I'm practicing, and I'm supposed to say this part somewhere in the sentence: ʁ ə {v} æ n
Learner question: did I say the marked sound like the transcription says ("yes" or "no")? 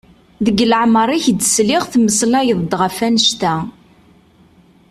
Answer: no